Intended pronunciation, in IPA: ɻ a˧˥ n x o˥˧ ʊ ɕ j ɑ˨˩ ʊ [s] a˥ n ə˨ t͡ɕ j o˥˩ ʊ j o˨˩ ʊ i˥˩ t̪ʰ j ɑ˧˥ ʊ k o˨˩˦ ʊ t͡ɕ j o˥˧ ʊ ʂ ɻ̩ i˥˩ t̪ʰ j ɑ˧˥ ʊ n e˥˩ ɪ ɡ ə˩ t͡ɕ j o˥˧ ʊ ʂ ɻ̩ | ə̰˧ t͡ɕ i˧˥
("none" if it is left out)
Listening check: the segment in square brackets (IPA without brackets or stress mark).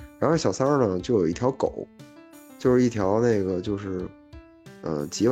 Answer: s